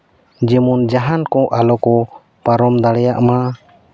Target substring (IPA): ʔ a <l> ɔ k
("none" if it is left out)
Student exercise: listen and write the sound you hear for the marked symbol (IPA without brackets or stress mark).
l